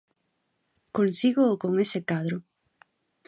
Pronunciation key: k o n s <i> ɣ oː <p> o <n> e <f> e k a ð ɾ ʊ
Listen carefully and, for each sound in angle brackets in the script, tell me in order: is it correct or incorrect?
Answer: correct, incorrect, incorrect, incorrect

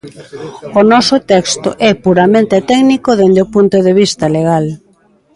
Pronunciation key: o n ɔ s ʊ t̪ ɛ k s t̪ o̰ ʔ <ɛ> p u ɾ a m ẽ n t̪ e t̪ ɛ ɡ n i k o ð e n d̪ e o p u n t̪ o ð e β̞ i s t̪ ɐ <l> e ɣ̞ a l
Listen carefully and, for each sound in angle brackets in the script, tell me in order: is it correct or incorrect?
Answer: correct, correct

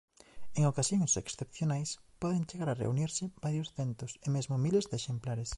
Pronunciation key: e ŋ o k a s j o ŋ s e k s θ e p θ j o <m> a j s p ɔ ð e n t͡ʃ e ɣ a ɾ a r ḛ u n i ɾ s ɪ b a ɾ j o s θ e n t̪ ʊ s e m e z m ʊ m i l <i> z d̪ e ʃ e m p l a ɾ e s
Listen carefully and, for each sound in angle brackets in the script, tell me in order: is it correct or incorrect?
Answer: incorrect, incorrect

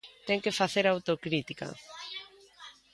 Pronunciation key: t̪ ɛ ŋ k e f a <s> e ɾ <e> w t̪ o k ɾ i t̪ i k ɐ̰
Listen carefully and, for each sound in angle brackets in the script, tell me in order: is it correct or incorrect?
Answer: incorrect, incorrect

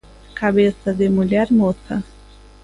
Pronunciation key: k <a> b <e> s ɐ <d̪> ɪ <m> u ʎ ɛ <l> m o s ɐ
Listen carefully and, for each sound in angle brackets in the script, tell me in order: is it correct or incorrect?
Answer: correct, correct, correct, correct, incorrect

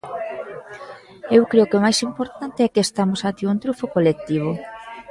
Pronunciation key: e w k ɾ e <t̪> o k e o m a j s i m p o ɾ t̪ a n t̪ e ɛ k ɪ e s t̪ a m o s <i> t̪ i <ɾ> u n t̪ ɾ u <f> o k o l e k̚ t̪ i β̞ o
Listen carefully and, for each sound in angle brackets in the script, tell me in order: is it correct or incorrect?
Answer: incorrect, incorrect, incorrect, correct

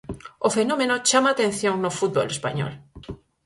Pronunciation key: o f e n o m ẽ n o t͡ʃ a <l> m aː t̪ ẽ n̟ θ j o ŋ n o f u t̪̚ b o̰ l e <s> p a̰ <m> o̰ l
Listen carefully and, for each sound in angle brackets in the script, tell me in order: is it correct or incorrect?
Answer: incorrect, correct, incorrect

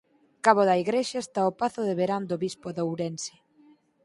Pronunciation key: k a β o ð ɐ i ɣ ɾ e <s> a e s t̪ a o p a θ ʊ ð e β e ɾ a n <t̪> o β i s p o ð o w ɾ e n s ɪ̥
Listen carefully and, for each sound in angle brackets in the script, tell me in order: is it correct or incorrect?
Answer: incorrect, incorrect

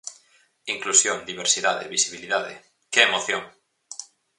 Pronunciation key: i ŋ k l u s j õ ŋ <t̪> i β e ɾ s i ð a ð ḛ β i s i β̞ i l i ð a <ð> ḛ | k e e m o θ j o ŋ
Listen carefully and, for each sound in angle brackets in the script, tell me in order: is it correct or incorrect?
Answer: incorrect, correct

